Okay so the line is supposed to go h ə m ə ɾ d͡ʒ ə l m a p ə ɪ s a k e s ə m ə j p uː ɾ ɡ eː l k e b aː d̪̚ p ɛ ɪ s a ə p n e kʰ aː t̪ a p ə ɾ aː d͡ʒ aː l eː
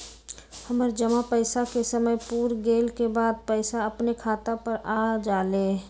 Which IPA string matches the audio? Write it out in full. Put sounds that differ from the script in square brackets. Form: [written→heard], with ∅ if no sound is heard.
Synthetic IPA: h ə m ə ɾ d͡ʒ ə [l→∅] m a p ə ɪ s a k e s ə m ə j p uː ɾ ɡ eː l k e b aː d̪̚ p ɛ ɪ s a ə p n e kʰ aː t̪ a p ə ɾ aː d͡ʒ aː l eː